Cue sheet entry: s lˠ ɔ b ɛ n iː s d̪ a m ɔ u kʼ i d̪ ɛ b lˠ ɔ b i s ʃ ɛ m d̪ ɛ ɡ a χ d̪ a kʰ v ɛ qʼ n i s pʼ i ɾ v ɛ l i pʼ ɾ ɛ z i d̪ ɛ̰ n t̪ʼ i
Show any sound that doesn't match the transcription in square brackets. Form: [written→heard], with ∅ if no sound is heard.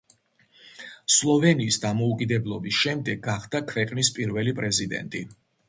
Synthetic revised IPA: s lˠ ɔ [b→v] ɛ n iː s d̪ a m ɔ u kʼ i d̪ ɛ b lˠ ɔ b i s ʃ ɛ m d̪ ɛ ɡ a χ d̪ a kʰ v ɛ qʼ n i s pʼ i ɾ v ɛ l i pʼ ɾ ɛ z i d̪ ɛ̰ n t̪ʼ i